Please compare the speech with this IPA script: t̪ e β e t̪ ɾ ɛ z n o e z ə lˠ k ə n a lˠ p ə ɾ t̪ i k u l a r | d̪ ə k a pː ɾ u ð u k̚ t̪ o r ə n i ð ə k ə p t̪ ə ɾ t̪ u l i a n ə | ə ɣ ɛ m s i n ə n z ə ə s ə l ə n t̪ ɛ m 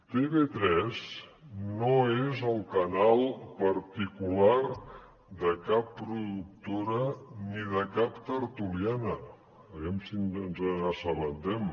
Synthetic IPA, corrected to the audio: t̪ e β e t̪ ɾ ɛ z n o e z ə lˠ k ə n a lˠ p ə ɾ t̪ i k u l a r | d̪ ə k a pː ɾ u ð u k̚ t̪ o ɾ ə n i ð ə k a p t̪ ə ɾ t̪ u l i a n ə | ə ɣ ɛ m s i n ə n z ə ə s ə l ə n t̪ ɛ m